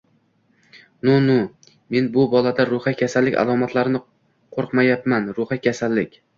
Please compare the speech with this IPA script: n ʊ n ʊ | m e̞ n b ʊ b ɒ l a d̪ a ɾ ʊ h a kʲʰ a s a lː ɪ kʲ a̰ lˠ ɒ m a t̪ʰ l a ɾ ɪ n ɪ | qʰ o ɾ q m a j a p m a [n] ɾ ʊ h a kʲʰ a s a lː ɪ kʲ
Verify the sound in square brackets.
correct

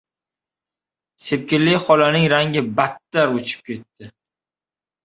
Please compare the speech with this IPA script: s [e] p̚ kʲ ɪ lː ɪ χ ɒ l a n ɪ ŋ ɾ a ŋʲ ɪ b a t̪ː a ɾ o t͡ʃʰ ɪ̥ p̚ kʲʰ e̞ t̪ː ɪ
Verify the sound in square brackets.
correct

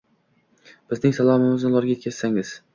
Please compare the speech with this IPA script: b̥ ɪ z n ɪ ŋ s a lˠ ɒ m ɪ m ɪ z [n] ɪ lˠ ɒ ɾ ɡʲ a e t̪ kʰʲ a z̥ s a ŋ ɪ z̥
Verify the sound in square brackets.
correct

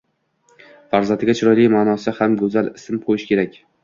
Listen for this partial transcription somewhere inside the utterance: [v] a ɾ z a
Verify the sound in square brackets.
incorrect: f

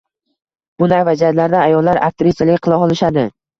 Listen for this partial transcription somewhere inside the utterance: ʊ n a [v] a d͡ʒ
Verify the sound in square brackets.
correct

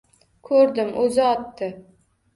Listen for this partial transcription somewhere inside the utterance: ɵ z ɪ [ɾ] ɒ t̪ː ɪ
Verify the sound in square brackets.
incorrect: none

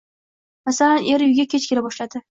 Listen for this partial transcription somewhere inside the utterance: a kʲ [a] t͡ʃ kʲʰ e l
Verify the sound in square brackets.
incorrect: e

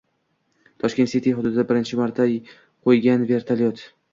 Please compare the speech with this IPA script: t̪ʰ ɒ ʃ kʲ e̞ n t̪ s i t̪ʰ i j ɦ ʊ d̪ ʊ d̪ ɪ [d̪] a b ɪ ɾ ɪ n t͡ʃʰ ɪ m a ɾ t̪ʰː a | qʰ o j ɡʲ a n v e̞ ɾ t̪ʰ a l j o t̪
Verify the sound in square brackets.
correct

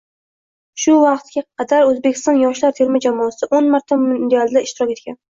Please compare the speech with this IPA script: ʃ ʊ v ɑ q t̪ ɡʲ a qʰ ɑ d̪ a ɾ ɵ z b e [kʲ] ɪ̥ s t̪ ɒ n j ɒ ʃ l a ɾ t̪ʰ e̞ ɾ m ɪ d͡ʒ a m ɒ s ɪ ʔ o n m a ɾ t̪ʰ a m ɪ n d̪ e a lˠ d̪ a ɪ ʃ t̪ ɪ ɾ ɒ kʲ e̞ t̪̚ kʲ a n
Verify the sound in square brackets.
correct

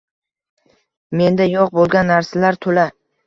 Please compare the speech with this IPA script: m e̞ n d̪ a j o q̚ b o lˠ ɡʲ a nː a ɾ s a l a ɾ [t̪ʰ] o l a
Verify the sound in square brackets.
correct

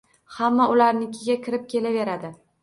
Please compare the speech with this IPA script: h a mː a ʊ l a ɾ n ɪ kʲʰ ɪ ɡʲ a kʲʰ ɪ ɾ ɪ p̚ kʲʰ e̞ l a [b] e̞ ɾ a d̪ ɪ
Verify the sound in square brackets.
incorrect: v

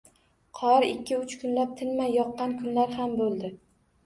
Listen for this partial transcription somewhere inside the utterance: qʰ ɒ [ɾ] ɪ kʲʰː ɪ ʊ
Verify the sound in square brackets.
correct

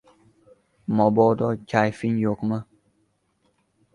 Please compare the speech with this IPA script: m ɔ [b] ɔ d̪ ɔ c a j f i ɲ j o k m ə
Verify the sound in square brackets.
correct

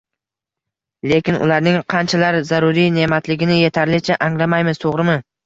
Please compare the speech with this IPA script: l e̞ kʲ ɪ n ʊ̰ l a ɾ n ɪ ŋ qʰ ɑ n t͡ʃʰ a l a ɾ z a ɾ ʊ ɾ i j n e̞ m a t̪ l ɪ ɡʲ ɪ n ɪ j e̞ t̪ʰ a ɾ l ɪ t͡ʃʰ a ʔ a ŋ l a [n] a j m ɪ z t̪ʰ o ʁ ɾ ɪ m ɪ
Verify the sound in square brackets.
incorrect: m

